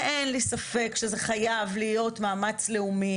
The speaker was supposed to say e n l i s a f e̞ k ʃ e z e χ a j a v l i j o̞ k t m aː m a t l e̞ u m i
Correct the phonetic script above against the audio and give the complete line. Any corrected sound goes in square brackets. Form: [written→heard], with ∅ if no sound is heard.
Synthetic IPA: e n l i s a f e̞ k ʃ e z e χ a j a v l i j o̞ [k→∅] t m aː m a [t→t͡s] l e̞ u m i